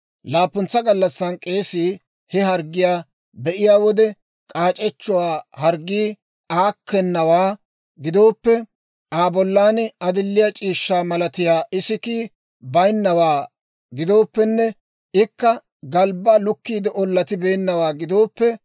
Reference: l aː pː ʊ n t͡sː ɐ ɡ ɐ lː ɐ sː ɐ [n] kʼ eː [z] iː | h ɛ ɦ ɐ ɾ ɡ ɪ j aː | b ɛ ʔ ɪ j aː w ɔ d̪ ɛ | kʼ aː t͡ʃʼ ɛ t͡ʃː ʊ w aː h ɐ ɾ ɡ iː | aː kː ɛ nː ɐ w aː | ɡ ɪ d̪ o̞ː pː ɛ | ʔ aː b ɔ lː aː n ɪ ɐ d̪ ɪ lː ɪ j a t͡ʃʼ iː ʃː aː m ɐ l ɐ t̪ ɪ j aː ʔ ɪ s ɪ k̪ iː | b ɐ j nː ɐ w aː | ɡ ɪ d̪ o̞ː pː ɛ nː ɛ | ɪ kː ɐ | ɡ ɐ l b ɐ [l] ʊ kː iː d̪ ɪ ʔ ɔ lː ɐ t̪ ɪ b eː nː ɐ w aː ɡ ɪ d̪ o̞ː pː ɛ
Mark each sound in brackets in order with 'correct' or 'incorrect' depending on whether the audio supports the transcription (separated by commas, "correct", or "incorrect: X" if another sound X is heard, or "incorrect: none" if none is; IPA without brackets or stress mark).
correct, incorrect: s, correct